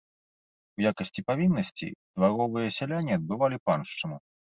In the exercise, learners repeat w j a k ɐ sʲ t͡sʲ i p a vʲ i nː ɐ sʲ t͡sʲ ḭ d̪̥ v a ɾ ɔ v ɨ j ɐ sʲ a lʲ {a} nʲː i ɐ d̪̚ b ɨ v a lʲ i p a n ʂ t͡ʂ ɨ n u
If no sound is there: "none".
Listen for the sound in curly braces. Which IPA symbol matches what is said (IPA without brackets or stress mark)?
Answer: a